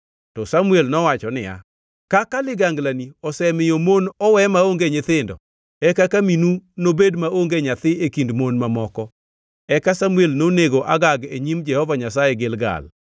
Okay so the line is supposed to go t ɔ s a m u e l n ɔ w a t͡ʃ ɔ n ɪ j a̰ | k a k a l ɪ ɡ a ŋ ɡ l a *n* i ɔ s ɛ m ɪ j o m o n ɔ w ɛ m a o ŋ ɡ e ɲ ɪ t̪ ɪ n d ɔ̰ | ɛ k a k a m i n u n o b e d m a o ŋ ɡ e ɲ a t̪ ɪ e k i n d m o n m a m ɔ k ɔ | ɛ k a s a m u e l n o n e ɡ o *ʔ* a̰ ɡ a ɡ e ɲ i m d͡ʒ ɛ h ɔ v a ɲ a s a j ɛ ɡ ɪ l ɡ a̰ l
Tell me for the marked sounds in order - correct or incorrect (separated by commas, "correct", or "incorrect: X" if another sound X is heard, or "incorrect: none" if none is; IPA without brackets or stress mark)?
correct, correct